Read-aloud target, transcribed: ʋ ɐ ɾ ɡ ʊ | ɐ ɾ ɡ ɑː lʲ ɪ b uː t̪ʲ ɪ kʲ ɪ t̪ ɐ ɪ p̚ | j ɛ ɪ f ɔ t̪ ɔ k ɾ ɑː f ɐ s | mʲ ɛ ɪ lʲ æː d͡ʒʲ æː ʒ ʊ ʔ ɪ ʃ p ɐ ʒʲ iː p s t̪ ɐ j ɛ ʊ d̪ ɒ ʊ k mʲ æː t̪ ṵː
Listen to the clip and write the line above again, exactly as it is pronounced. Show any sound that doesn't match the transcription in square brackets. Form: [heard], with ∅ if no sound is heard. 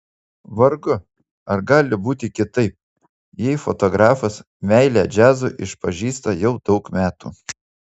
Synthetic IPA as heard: ʋ ɐ ɾ ɡ ʊ | ɐ ɾ ɡ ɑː lʲ ɪ b uː t̪ʲ ɪ kʲ ɪ t̪ ɐ ɪ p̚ | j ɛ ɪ f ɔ t̪ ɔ [ɡ] ɾ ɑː f ɐ s | mʲ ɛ ɪ lʲ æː d͡ʒʲ æː [z] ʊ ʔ ɪ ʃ p ɐ ʒʲ iː [∅] s t̪ ɐ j ɛ ʊ d̪ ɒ ʊ k mʲ æː t̪ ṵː